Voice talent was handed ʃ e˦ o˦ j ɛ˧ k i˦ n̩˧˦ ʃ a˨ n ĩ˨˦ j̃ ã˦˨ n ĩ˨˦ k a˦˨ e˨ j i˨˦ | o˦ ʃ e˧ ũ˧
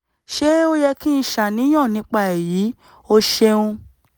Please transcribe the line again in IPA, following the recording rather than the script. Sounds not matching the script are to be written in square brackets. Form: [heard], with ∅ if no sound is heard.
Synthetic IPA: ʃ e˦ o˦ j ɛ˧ k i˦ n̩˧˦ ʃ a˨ n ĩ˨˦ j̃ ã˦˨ n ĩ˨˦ [k͡p] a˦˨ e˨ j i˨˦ | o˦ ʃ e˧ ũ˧